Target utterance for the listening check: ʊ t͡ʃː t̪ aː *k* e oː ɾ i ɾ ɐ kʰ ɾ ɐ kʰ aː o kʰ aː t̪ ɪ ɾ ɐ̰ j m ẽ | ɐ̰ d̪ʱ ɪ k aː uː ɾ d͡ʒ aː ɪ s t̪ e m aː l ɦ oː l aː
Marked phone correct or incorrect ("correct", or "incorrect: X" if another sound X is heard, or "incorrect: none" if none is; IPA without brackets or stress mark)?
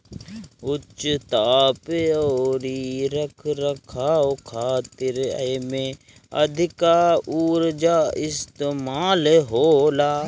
incorrect: p